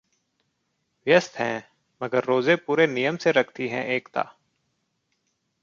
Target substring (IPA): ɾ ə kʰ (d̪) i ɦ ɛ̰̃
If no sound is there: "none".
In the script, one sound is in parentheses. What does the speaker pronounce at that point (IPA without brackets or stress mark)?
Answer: t̪